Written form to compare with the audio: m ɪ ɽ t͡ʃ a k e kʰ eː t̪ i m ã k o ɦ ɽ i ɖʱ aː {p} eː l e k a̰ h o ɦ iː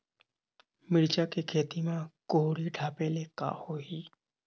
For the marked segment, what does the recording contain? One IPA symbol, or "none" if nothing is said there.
p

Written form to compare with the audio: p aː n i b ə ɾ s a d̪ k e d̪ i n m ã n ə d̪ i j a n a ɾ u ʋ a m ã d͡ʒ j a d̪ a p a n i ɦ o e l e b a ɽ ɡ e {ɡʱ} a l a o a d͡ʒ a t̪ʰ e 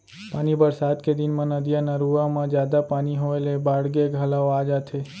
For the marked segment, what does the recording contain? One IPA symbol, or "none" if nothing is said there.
ɡʱ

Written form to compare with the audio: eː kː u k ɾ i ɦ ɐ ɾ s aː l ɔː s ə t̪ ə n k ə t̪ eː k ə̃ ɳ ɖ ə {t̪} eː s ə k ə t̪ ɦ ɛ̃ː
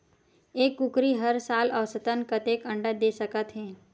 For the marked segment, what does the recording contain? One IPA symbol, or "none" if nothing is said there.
d̪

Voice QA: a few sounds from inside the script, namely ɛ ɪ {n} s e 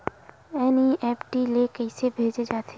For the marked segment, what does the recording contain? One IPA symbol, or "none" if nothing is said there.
none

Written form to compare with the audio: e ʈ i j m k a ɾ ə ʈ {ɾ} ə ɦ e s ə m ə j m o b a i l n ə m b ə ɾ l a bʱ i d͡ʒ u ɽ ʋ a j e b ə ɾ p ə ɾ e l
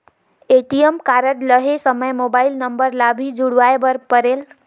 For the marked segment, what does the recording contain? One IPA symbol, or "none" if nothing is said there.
l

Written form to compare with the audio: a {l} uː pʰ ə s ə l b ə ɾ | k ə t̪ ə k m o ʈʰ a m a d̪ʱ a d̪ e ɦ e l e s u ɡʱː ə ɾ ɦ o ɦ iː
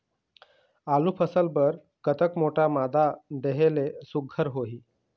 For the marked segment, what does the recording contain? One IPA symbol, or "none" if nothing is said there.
l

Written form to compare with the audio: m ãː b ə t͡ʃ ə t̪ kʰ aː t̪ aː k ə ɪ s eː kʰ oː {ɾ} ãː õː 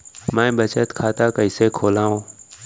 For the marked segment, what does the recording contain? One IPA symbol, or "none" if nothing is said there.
l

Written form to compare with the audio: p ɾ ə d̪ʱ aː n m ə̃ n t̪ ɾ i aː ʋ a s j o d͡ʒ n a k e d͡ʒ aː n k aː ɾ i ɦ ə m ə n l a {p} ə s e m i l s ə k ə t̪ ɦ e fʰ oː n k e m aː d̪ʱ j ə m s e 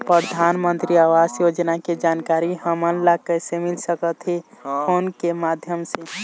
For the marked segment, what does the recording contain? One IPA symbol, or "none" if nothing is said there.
k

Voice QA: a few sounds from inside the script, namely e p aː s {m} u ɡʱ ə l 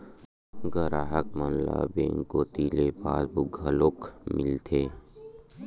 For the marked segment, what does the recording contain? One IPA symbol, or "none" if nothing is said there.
b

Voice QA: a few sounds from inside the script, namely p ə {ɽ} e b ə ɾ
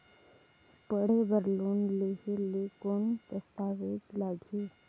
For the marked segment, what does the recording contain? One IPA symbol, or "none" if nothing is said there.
ɽ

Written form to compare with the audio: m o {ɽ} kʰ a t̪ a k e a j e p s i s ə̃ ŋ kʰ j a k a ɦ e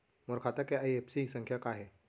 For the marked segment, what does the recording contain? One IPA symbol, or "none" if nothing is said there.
ɾ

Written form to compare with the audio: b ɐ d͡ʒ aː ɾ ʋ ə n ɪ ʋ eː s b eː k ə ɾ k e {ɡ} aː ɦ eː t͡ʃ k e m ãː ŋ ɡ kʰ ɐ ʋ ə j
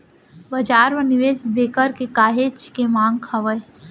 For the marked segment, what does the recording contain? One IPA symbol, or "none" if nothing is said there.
k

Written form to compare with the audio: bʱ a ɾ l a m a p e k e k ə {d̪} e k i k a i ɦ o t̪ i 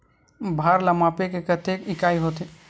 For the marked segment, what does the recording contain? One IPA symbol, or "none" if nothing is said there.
t̪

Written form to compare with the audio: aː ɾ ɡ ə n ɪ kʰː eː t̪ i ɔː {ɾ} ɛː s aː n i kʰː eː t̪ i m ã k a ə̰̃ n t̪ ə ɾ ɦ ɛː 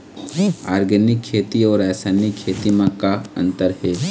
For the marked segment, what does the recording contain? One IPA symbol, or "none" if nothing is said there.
ɾ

